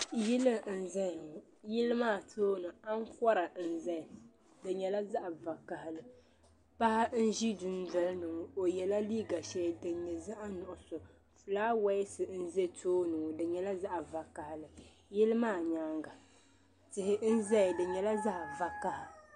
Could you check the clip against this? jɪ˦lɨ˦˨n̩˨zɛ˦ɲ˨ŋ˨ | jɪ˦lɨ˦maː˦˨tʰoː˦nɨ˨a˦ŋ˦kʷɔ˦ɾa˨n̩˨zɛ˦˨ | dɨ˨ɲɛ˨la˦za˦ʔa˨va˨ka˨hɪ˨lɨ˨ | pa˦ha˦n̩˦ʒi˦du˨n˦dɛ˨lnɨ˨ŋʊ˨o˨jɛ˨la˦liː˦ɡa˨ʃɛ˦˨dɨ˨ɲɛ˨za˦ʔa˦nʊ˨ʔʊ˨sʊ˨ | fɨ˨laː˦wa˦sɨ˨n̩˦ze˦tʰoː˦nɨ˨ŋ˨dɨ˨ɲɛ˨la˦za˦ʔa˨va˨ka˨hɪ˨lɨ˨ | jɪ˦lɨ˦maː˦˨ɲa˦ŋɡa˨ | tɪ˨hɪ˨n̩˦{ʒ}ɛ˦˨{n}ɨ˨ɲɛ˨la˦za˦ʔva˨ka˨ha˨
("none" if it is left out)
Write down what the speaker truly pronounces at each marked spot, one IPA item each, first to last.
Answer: z, d

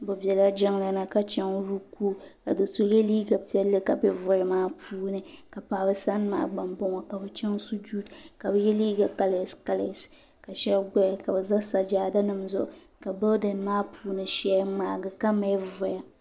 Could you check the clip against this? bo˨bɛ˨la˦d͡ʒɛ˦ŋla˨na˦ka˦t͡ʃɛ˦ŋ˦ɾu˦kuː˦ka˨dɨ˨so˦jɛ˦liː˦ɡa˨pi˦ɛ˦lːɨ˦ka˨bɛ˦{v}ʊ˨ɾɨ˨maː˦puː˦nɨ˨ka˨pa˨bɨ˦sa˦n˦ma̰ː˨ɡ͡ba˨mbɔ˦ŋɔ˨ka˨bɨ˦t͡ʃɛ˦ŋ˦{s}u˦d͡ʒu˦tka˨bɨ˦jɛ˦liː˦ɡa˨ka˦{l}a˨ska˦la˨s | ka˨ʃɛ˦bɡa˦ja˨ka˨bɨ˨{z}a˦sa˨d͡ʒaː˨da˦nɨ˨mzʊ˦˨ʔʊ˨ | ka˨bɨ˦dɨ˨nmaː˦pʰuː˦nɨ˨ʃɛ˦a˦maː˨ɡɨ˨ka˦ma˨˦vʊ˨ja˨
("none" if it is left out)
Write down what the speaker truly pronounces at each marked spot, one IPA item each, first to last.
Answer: v, s, l, z

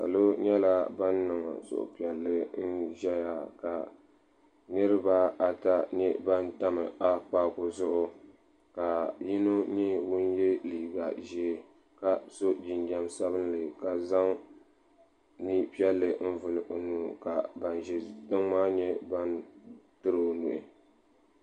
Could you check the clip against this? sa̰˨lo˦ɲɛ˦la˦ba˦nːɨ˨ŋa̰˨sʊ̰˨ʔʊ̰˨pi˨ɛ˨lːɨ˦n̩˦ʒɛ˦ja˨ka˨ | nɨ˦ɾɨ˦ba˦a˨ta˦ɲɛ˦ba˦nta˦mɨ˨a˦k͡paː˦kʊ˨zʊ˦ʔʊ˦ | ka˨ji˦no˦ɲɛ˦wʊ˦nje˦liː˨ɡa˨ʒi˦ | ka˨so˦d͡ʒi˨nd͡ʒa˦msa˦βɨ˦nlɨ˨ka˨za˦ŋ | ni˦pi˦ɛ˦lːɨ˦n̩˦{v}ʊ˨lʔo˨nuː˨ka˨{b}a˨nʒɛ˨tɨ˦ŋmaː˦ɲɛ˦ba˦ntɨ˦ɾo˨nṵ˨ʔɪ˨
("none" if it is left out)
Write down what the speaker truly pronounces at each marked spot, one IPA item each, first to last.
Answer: v, b

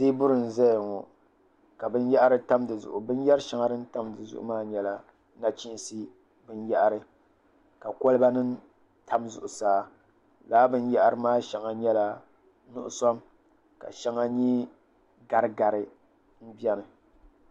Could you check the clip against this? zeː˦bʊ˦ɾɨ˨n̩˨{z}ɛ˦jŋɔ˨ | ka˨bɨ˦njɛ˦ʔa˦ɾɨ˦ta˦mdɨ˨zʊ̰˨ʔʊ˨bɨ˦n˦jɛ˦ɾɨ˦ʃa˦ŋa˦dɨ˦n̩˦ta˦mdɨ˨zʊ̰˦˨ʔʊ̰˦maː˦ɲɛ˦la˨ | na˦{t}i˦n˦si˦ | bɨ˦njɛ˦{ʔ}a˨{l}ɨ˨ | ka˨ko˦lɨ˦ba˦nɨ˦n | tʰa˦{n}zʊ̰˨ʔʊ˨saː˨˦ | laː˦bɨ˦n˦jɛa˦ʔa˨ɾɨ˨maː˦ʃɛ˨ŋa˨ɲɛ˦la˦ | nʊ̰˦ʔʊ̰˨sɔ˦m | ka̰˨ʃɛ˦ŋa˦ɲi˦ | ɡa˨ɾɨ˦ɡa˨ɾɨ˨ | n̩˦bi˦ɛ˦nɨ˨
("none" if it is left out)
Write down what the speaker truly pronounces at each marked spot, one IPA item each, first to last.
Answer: z, t͡ʃ, ʔ, ɾ, m

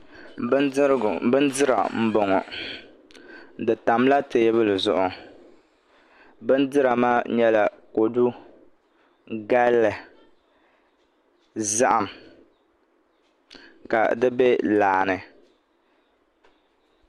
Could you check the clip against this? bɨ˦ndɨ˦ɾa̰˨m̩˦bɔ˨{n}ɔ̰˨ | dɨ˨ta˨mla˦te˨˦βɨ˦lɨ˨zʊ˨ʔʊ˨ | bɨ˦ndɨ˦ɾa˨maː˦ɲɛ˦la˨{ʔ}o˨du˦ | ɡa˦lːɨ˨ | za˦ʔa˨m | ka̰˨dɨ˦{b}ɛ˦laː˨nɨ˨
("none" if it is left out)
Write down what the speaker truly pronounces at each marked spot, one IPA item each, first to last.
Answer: ŋ, k, b

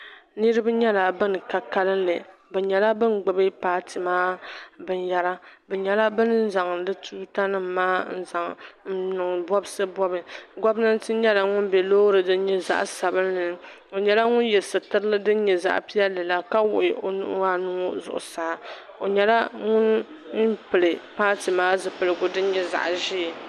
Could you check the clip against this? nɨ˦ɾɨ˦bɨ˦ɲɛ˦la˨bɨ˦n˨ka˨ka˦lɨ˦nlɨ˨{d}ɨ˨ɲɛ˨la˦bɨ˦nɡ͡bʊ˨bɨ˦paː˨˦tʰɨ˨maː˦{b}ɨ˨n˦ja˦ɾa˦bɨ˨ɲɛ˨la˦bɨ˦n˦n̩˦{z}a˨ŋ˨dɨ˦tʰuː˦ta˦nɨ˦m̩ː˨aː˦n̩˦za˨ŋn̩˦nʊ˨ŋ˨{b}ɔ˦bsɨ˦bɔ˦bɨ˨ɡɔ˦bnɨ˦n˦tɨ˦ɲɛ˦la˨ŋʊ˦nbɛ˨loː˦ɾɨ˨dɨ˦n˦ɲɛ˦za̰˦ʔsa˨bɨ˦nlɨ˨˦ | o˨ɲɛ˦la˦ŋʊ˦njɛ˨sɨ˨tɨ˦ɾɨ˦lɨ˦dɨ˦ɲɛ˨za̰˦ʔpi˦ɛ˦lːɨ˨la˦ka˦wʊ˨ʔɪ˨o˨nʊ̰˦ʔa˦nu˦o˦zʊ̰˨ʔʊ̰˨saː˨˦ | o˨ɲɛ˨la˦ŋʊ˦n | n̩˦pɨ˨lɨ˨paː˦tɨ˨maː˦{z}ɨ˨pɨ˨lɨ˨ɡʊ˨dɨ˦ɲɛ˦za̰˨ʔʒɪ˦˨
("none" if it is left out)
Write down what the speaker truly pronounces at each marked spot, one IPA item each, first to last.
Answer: b, b, z, b, z

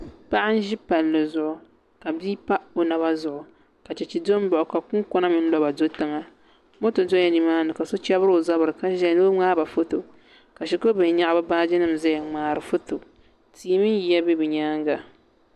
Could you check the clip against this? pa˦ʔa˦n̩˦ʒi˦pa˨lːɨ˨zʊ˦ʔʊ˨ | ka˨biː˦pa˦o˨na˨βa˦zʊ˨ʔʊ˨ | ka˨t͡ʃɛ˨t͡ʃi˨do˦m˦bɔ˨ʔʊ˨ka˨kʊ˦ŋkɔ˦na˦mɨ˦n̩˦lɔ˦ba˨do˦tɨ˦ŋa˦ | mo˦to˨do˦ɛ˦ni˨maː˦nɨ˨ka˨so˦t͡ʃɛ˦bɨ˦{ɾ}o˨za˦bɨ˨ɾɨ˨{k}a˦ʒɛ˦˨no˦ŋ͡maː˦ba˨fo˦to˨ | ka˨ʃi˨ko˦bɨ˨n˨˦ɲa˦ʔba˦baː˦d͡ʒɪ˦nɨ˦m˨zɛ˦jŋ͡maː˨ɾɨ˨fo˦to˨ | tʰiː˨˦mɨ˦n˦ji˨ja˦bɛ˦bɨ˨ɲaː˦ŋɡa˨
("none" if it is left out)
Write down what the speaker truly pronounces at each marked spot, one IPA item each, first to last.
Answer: ɾ, k

